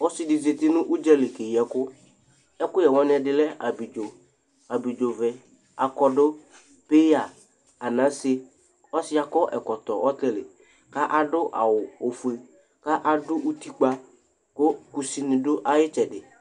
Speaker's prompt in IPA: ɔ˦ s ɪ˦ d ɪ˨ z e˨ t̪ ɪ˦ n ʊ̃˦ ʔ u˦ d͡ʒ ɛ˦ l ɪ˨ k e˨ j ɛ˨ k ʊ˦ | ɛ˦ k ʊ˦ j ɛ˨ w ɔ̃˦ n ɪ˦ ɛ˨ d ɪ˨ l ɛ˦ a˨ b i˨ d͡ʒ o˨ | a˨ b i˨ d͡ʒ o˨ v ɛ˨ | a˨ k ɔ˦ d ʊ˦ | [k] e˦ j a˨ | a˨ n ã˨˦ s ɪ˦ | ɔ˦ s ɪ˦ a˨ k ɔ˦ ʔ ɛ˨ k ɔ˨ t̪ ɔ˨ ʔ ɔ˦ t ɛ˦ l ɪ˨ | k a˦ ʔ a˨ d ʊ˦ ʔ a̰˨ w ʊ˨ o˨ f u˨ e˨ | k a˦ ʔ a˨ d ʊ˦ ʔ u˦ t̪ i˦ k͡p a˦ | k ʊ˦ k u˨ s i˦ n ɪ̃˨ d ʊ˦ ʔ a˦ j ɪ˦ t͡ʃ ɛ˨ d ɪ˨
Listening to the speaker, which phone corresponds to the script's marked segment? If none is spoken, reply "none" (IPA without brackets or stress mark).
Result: p